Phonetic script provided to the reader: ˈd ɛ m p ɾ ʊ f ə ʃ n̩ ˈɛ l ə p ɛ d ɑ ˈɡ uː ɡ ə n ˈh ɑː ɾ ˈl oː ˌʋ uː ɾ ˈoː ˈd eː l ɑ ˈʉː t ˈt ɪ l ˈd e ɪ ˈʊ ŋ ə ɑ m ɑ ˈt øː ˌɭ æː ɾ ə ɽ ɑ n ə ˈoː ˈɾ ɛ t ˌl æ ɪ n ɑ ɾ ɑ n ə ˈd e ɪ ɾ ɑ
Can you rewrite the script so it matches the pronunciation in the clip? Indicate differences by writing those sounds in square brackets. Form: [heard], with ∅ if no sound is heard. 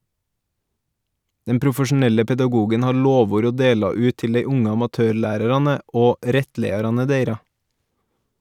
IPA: ˈd ɛ m p ɾ ʊ f ə ʃ n̩ ˈɛ l ə p ɛ d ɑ ˈɡ uː ɡ ə n ˈh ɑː ɾ ˈl oː ˌʋ uː ɾ ˈoː ˈd eː l ɑ ˈʉː t ˈt ɪ l ˈd e ɪ ˈʊ ŋ ə ɑ m ɑ ˈt øː ˌɭ æː ɾ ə [ɾ] ɑ n ə ˈoː ˈɾ ɛ t ˌl [e] ɪ [∅] ɑ ɾ ɑ n ə ˈd e ɪ ɾ ɑ